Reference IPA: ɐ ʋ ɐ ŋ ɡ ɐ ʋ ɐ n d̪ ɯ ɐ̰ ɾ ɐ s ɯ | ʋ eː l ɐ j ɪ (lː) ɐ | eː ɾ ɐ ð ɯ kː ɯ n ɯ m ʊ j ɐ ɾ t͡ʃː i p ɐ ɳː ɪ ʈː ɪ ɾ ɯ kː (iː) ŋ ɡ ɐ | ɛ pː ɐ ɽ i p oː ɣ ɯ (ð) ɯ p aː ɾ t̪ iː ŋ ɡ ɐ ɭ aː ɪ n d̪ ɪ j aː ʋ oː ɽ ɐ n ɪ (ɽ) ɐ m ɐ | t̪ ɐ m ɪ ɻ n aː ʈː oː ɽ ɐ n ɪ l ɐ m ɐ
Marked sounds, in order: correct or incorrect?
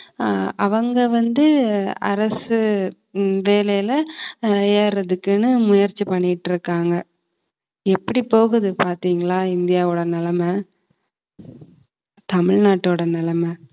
incorrect: l, incorrect: aː, correct, incorrect: l

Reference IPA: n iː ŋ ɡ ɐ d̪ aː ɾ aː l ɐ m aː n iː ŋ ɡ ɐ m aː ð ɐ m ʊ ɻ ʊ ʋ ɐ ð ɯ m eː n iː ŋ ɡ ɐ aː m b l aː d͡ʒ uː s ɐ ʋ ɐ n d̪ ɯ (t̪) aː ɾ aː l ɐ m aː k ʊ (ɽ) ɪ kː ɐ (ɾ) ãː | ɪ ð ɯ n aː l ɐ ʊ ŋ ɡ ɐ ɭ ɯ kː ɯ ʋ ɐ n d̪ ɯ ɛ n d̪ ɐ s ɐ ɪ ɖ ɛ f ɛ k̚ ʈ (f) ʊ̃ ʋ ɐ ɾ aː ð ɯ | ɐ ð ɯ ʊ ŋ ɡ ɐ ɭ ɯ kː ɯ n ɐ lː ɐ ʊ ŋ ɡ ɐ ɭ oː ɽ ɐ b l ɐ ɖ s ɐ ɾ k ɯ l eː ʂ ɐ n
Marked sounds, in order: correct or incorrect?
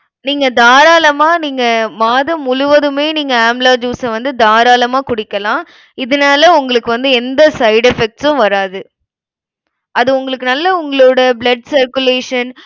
incorrect: d̪, correct, incorrect: l, incorrect: s

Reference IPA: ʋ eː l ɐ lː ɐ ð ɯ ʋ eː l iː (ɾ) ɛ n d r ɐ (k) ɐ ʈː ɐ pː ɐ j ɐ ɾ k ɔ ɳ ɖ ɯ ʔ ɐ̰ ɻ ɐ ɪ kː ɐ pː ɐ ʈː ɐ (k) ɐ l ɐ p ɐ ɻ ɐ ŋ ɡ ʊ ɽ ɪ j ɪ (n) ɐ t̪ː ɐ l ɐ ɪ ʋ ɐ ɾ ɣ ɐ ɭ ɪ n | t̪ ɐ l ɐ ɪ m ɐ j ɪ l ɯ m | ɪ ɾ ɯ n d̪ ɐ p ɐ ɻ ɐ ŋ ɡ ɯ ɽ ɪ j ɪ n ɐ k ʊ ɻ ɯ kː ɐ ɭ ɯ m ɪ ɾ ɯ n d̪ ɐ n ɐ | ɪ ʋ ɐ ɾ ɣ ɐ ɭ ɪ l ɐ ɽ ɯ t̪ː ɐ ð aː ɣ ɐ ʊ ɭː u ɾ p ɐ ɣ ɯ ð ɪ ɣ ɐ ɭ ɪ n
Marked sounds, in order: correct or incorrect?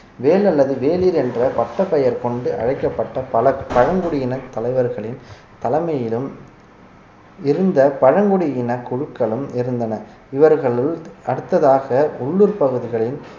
correct, incorrect: p, incorrect: p, correct

